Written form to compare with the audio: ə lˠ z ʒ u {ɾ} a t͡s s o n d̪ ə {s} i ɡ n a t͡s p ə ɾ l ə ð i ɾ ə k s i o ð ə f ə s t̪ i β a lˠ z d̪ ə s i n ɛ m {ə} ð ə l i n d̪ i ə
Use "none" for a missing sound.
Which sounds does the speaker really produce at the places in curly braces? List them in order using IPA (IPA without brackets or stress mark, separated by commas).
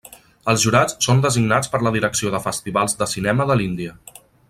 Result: ɾ, z, ə